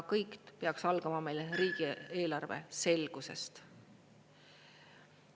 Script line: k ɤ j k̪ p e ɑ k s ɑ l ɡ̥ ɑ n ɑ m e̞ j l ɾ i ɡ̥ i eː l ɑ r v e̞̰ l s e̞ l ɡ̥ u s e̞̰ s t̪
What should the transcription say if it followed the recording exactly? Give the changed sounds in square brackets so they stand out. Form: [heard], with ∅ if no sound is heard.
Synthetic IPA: k ɤ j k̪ p e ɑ k s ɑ l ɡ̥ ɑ [m] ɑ m e̞ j l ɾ [iː] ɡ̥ i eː l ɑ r v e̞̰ [∅] s e̞ l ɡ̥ u s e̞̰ s t̪